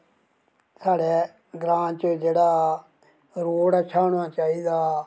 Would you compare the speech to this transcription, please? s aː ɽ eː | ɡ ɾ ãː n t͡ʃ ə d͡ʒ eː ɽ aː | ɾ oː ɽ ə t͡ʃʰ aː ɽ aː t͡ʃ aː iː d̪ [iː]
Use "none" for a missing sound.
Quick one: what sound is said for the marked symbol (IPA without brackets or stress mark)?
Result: aː